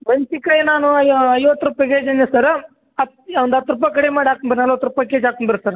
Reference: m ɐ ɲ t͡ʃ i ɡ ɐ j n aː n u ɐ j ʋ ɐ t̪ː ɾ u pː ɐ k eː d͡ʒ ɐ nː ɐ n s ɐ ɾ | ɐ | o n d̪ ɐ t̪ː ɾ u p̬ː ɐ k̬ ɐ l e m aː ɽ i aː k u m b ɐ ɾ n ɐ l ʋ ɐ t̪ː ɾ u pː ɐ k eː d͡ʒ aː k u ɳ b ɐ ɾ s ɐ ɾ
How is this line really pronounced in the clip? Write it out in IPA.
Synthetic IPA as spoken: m ɐ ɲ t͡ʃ i k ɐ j n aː n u ɐ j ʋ ɐ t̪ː ɾ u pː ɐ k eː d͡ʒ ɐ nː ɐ s ɐ ɾ | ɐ | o n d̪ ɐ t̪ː ɾ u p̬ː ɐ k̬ ɐ ɽ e m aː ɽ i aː k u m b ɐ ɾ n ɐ l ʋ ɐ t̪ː ɾ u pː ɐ k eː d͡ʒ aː k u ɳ b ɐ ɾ s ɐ ɾ